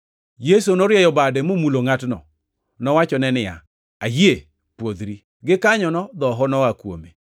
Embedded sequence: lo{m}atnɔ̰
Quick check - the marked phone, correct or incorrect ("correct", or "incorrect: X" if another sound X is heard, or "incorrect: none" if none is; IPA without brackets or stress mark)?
incorrect: ŋ